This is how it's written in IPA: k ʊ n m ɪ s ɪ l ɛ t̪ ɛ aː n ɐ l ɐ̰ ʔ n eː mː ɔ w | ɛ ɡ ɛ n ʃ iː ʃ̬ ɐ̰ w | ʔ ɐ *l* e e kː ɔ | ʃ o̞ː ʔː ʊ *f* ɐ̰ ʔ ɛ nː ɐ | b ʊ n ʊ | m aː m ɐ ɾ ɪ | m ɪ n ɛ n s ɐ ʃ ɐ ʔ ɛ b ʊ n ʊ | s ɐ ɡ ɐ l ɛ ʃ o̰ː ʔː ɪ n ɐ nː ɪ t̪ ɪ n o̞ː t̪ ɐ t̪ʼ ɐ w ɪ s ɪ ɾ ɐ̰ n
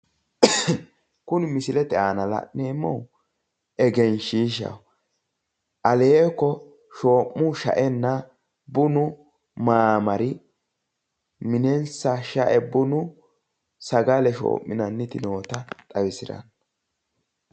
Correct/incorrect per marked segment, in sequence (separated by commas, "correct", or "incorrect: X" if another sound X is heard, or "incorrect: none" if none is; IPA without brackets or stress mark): correct, incorrect: ʃ